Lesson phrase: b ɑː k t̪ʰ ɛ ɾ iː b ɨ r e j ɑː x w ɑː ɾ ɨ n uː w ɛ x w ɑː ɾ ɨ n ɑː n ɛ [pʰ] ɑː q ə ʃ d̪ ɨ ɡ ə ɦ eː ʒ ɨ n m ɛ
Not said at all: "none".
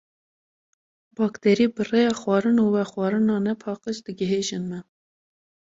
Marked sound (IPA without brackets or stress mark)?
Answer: pʰ